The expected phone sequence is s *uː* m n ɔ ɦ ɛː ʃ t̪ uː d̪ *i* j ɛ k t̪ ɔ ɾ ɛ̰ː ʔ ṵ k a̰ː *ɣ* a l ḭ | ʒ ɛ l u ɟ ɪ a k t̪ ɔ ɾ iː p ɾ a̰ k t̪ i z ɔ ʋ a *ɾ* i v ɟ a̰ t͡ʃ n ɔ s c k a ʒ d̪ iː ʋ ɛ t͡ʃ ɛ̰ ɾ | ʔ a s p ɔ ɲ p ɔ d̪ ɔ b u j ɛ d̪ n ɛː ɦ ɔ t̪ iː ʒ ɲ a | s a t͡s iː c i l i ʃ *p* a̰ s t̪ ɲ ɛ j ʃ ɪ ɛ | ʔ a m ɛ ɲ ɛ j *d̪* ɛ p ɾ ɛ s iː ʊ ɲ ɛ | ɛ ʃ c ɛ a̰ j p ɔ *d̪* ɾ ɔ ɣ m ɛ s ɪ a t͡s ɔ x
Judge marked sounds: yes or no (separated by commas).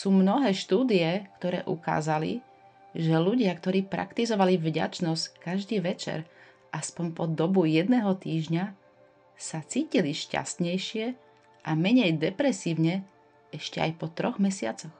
yes, yes, no, no, no, yes, no